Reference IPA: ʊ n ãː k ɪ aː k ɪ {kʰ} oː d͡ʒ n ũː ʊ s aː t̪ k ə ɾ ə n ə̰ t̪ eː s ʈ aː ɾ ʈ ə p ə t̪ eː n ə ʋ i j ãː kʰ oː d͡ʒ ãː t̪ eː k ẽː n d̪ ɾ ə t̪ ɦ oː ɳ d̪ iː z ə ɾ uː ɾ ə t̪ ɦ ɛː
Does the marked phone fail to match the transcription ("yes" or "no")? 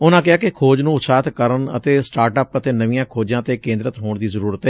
no